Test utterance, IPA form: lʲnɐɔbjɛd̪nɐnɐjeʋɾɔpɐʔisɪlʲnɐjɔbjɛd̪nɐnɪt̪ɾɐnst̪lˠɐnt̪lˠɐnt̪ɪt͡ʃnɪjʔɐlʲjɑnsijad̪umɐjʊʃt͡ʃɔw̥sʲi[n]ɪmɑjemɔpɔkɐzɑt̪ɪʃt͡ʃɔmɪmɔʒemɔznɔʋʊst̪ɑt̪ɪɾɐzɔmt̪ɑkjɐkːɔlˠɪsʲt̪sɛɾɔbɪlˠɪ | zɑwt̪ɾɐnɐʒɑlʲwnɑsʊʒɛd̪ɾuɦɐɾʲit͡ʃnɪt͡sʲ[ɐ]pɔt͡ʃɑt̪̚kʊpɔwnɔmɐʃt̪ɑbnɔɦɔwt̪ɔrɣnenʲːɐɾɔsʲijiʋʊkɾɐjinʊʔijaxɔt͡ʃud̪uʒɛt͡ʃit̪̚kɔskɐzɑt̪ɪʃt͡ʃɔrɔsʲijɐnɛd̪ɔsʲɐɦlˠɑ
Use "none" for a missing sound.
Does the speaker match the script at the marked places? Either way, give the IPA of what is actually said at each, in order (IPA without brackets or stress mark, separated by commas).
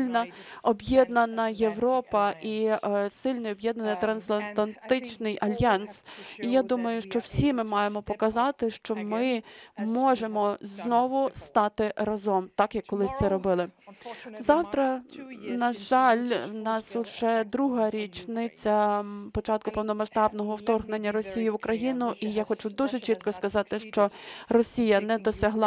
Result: m, ɐ